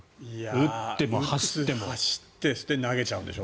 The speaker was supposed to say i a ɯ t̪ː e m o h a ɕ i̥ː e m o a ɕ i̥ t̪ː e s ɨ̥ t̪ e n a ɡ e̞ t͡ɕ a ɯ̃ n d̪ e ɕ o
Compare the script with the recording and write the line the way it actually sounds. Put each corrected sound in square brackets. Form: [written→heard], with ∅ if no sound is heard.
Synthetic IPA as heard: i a ɯ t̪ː e m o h a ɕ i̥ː e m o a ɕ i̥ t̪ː e s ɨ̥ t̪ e n a ɡ e̞ t͡ɕ a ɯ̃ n d̪ e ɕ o